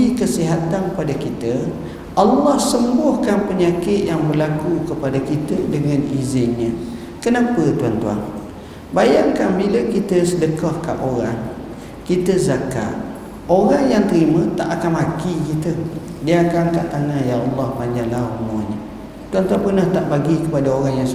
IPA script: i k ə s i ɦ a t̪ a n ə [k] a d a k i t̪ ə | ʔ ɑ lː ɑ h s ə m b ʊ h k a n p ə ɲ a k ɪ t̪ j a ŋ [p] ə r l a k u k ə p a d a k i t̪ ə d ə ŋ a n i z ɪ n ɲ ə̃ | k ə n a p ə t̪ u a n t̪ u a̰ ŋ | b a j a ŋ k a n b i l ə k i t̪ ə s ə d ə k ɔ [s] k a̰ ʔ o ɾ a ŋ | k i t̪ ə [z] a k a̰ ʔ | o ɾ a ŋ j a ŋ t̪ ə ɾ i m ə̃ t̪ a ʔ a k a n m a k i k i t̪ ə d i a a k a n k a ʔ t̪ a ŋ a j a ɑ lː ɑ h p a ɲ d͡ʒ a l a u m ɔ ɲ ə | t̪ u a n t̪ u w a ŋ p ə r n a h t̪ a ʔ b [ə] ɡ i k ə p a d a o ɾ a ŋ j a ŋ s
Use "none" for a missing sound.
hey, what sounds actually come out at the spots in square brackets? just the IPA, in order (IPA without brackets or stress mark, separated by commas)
p, b, h, z, a